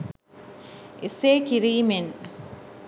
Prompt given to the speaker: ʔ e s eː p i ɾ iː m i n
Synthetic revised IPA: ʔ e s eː k i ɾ iː m e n